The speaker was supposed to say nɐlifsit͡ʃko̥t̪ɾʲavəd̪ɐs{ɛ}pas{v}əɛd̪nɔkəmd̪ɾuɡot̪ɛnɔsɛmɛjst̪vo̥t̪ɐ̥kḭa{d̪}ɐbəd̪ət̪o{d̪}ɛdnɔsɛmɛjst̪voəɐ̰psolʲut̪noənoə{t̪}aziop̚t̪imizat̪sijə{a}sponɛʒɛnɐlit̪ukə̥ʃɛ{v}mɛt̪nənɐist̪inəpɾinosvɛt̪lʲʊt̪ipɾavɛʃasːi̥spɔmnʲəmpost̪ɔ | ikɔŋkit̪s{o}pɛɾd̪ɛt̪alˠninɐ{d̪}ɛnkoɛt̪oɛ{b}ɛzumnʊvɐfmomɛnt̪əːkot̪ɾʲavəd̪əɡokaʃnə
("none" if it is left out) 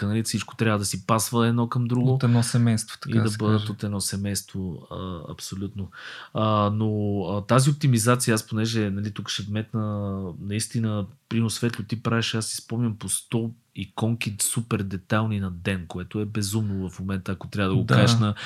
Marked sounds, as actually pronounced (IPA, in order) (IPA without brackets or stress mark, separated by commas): i, v, d̪, t̪, t̪, a, v, u, d̪, b